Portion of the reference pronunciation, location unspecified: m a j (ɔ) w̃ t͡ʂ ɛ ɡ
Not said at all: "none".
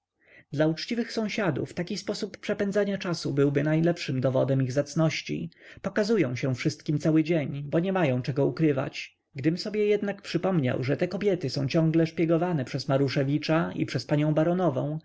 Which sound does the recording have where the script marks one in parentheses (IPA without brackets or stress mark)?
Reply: ɔ̃